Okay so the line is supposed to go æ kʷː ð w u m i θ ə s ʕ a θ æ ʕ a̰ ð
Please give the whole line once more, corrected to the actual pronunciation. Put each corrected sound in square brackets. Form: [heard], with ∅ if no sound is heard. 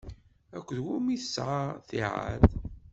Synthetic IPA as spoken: æ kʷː ð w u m i θ ə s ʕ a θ [i] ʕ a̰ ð